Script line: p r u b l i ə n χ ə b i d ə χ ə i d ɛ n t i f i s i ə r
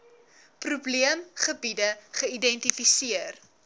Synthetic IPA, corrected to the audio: p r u b l i ə m χ ə b i d ə χ ə i d ɛ n t i f i s i ə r